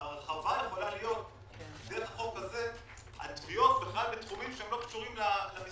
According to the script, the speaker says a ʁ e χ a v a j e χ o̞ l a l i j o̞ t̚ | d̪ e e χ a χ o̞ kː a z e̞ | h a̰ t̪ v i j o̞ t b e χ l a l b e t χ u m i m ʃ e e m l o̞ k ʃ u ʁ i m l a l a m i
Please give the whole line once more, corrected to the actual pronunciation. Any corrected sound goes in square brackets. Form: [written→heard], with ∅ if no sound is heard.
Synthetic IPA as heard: a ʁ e χ a v a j e χ o̞ l a l i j o̞ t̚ | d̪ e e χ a χ o̞ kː a z e̞ | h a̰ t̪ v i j o̞ t b e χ l a l b e t χ u m i m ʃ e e m l o̞ k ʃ u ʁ i m l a l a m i